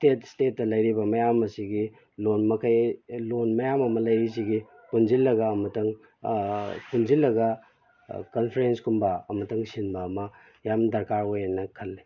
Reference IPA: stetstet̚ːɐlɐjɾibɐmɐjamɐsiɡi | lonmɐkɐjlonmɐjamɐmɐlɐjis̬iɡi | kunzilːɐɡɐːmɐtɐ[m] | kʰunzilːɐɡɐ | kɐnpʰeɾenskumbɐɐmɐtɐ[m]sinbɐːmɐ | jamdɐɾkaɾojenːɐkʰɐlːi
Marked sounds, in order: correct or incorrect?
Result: incorrect, incorrect

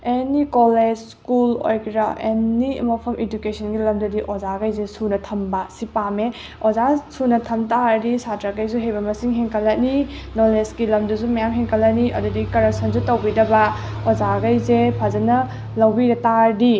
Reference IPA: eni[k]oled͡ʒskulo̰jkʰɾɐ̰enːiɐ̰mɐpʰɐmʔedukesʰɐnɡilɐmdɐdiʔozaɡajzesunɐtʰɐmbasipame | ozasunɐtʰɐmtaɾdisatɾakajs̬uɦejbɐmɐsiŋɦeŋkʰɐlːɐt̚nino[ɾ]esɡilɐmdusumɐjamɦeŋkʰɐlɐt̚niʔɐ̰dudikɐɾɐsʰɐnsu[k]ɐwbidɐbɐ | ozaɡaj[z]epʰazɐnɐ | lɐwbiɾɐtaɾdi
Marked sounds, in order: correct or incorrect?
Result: correct, incorrect, incorrect, correct

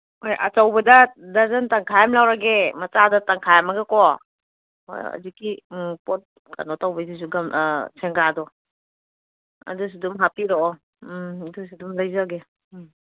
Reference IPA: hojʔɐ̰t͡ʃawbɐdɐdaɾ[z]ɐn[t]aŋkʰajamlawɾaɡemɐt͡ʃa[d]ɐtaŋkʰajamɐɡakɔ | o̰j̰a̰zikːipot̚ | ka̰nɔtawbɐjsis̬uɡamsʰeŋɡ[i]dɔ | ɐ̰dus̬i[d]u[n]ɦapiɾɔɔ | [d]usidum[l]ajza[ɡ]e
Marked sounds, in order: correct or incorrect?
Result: correct, correct, correct, incorrect, correct, incorrect, correct, correct, correct

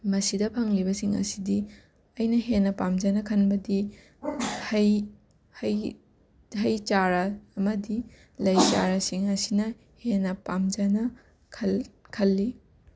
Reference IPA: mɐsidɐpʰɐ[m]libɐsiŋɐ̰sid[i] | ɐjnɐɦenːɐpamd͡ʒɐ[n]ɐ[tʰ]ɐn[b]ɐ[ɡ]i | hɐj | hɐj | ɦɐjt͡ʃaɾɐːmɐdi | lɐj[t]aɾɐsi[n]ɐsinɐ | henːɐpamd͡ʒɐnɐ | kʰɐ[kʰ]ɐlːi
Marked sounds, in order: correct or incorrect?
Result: incorrect, correct, correct, incorrect, correct, incorrect, incorrect, incorrect, correct

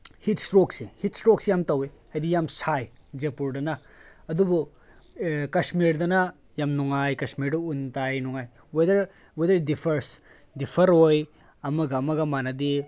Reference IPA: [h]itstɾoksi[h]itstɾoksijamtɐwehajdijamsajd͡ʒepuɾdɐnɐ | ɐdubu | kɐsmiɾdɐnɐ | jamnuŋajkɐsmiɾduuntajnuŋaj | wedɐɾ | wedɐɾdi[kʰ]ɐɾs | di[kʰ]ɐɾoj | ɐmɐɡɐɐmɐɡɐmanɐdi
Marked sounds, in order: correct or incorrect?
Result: correct, correct, incorrect, incorrect

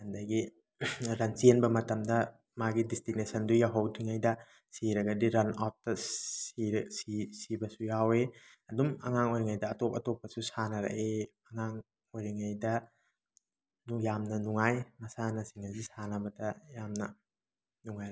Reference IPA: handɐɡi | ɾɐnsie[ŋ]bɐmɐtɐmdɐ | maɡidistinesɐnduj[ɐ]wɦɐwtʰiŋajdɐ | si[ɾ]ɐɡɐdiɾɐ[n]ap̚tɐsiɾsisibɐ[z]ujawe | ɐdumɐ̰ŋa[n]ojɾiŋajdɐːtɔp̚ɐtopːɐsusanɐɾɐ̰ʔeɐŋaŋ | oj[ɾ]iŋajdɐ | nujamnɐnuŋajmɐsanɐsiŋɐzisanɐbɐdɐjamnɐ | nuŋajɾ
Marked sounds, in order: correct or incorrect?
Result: incorrect, incorrect, correct, correct, incorrect, incorrect, correct

